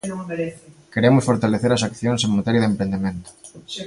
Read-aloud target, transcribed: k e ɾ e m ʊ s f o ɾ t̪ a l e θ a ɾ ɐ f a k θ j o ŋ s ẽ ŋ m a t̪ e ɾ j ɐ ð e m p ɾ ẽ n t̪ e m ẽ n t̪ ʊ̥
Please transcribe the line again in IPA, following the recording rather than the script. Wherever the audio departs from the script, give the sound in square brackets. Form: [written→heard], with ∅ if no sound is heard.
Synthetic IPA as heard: k e ɾ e m ʊ s f o ɾ t̪ a l e θ [a→e] ɾ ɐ [f→s] a k θ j o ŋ s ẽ ŋ m a t̪ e ɾ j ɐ ð e m p ɾ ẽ n [t̪→d̪] e m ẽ n t̪ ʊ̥